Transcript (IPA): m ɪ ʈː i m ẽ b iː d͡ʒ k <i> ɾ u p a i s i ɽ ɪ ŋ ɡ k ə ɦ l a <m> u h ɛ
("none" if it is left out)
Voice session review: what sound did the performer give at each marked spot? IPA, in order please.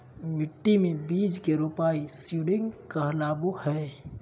e, b

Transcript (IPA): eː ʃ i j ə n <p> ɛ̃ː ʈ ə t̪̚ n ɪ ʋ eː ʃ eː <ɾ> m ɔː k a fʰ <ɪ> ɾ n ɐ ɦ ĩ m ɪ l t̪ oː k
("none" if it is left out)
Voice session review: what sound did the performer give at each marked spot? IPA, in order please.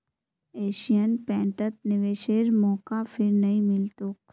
p, ɾ, ɪ

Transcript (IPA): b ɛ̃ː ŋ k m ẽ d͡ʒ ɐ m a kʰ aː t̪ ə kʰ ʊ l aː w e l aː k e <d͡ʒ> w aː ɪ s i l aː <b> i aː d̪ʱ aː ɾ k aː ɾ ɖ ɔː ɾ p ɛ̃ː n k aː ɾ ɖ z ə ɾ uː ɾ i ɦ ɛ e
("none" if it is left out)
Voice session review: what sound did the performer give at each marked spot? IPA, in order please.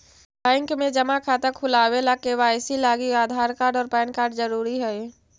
none, ɡ

